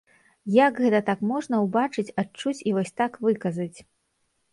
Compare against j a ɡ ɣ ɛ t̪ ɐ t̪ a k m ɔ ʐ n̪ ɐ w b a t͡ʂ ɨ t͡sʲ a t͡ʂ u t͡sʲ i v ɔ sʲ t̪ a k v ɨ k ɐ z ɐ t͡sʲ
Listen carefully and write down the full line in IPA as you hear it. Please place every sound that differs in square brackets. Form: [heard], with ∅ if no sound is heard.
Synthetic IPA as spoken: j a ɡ ɣ ɛ t̪ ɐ t̪ a k m ɔ ʐ n̪ ɐ w b a t͡ʂ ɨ t͡sʲ a t͡ʂ u t͡sʲ i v ɔ sʲ t̪ a k v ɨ k ɐ z ɐ t͡sʲ